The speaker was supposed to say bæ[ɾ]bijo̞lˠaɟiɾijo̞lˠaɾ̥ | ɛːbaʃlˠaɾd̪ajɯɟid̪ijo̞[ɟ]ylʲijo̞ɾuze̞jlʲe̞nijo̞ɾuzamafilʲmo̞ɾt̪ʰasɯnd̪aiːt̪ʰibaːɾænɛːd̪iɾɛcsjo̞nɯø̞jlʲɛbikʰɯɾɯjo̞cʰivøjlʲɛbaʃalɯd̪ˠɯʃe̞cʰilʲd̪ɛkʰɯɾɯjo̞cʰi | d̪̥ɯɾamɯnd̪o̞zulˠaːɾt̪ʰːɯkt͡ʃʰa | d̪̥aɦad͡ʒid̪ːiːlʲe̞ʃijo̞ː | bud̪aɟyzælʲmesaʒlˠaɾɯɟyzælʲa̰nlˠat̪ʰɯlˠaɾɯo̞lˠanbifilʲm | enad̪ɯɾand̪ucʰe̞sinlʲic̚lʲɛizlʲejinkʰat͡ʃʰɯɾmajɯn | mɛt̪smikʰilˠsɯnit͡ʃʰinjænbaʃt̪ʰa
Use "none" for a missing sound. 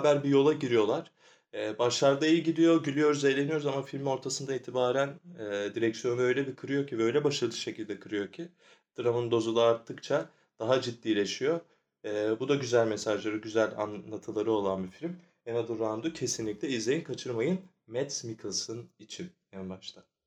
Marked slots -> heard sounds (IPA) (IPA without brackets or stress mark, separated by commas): ɾ, ɟ